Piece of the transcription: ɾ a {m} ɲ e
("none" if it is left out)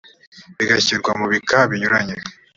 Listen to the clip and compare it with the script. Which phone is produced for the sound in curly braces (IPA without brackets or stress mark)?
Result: none